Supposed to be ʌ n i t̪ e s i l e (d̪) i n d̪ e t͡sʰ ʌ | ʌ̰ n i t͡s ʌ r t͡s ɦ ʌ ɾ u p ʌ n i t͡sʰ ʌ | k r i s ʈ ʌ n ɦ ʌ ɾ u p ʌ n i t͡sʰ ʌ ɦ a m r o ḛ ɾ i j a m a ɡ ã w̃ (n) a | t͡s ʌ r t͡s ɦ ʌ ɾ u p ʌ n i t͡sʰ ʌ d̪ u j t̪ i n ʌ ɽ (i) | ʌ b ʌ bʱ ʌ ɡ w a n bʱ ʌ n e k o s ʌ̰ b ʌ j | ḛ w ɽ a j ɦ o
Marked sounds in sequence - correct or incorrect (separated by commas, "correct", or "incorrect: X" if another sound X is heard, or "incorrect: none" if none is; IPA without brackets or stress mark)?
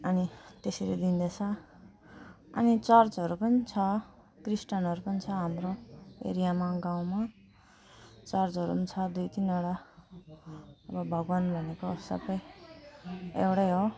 correct, incorrect: m, incorrect: a